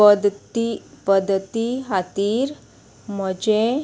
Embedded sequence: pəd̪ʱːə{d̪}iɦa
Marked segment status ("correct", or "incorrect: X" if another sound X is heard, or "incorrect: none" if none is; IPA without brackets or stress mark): incorrect: t̪